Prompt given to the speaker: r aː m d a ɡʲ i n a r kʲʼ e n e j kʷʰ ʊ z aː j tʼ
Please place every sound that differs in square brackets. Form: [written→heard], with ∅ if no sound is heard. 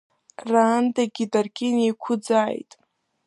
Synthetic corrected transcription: r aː [m→n] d a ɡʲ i [n→d] a r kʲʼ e n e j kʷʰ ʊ [z→d͡z] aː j tʼ